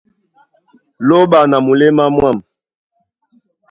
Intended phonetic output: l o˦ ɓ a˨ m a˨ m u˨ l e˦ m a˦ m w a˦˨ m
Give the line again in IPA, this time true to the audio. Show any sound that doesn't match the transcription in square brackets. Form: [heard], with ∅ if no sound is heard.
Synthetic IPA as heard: l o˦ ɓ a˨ [n] a˨ m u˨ l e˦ m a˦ m w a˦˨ m